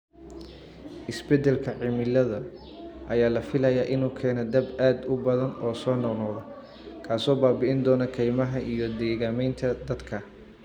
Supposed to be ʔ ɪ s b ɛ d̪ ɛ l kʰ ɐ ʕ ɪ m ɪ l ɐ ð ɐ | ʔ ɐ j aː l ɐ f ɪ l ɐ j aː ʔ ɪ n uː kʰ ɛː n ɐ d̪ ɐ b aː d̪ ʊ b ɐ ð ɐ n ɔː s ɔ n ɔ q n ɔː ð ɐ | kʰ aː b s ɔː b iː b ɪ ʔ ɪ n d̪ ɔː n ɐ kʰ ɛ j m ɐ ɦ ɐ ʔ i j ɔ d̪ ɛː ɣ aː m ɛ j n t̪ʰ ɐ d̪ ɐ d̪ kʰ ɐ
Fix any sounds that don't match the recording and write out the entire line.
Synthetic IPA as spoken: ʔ ɪ s b ɛ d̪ ɛ l kʰ ɐ ʕ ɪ m ɪ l ɐ ð ɐ | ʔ ɐ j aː l ɐ f ɪ l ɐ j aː ʔ ɪ n uː kʰ ɛː n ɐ d̪ ɐ b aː d̪ ʊ b ɐ ð ɐ n ɔː s ɔː n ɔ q n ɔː ð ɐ | kʰ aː s ɔː b aː b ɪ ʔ ɪ n d̪ ɔː n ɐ kʰ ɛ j m ɐ ɦ ɐ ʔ i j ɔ d̪ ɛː ɣ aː m ɛ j n t̪ʰ ɐ d̪ ɐ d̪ kʰ ɐ

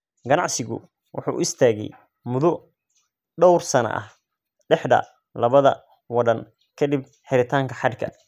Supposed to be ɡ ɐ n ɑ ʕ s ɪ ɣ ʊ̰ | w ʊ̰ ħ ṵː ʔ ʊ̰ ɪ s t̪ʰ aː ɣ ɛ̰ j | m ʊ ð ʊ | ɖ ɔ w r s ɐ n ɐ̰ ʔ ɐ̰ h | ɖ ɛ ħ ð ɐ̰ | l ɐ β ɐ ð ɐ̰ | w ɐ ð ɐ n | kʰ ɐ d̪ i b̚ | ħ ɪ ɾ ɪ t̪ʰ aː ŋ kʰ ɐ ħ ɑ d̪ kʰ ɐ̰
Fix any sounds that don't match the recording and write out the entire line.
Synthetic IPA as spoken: ɡ ɐ n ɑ ʕ s ɪ ɣ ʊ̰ | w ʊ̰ ħ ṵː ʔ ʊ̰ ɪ s t̪ʰ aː ɣ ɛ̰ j | m ʊ ð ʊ | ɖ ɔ w r s ɐ n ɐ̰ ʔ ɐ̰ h | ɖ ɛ ħ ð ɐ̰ | l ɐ β ɐ ð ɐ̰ | w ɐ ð ɐ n | kʰ ɐ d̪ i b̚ | ħ ɪ ɾ ɪ t̪ʰ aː ŋ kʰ ɐ ħ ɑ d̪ kʰ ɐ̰

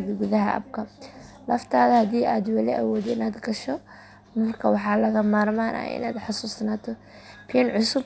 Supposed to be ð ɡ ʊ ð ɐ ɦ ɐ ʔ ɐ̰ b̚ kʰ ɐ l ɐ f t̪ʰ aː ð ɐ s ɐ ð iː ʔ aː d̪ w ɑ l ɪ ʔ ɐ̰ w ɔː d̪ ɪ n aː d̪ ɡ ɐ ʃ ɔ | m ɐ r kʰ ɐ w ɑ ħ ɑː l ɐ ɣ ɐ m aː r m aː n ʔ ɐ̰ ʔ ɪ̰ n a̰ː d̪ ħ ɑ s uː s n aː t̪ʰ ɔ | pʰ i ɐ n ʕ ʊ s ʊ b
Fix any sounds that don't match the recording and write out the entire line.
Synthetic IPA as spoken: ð ɡ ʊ ð ɐ ɦ ɐ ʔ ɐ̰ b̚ kʰ ɐ l ɐ f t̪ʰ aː ð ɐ h ɐ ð iː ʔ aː d̪ w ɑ l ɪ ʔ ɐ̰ w ɔː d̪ ɪ n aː d̪ ɡ ɐ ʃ ɔ | m ɐ r kʰ ɐ w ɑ ħ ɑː l ɐ ɣ ɐ m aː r m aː n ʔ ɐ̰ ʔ ɪ̰ n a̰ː d̪ ħ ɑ s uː s n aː t̪ʰ ɔ | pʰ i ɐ n ʕ ʊ s ʊ b

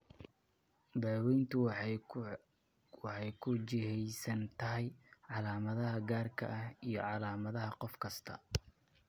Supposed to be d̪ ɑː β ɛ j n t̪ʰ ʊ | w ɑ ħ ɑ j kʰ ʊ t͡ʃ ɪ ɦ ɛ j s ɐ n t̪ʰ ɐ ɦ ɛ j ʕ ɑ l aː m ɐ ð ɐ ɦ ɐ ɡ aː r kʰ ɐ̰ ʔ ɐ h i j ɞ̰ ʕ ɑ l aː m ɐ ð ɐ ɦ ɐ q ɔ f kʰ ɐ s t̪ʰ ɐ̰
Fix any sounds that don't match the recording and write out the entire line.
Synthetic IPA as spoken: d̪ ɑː w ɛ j n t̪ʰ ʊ | w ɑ ħ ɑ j kʰ ʊ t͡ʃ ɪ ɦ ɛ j s ɐ n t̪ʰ ɐ ɦ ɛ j ʕ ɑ l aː m ɐ ð ɐ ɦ ɐ ɡ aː r kʰ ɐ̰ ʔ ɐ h i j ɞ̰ ʕ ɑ l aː m ɐ ð ɐ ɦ ɐ q ɔ f kʰ ɐ s t̪ʰ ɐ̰

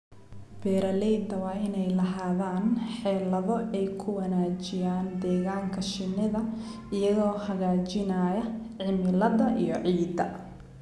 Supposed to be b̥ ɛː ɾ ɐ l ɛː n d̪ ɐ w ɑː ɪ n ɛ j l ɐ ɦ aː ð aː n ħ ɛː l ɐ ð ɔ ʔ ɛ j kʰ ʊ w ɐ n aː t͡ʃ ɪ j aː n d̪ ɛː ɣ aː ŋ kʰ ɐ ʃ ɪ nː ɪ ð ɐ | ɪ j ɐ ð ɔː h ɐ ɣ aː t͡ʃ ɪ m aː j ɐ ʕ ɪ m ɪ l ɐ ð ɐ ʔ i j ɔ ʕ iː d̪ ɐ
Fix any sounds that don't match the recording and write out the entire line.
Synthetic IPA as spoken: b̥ ɛː ɾ ɐ l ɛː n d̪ ɐ w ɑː ɪ n ɛ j l ɐ ɦ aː ð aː n ħ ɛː l ɐ ð ɔ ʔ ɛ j kʰ ʊ w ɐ n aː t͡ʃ ɪ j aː n d̪ ɛː ɣ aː ŋ kʰ ɐ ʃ ɪ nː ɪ ð ɐ | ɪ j ɐ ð ɔː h ɐ ɣ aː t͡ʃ ɪ n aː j ɐ ʕ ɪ m ɪ l ɐ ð ɐ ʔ i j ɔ ʕ iː d̪ ɐ

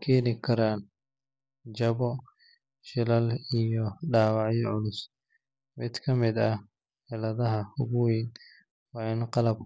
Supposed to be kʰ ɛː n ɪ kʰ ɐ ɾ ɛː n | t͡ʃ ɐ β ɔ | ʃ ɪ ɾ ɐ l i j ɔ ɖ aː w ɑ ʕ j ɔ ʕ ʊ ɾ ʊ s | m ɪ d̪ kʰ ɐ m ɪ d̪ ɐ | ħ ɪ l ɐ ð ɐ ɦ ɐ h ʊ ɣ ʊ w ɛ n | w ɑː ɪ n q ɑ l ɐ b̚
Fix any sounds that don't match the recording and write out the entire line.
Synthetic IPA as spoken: kʰ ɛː n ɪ kʰ ɐ ɾ aː n | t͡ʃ ɐ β ɔ | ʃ ɪ l ɐ l i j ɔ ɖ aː w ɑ ʕ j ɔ ʕ ʊ l ʊ s | m ɪ d̪ kʰ ɐ m ɪ d̪ ɐ | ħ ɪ l ɐ ð ɐ ɦ ɐ h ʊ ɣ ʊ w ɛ n | w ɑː ɪ n q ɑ l ɐ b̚

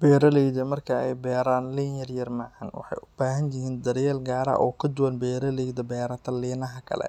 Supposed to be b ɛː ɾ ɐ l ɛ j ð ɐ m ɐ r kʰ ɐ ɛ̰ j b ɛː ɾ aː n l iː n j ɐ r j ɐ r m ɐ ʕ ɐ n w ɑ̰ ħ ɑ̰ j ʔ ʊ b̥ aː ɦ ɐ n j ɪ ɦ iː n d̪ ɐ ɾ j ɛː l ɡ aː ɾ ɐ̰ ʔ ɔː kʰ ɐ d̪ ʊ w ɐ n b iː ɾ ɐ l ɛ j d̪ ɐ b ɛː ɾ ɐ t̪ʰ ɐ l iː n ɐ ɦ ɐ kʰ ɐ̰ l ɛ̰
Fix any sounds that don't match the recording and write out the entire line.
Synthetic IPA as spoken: b ɛː ɾ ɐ l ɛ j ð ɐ m ɐ r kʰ ɐ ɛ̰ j b ɛː ɾ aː n l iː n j ɐ r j ɐ r m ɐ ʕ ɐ n w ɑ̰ ħ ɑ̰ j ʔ ʊ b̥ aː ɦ ɐ n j ɪ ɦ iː n d̪ ɐ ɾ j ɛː l ɡ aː ɾ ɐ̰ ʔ ɔː kʰ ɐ d̪ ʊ w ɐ n b ɛː ɾ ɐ l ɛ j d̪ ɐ b ɛː ɾ ɐ t̪ʰ ɐ l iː n ɐ ɦ ɐ kʰ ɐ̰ l ɛ̰

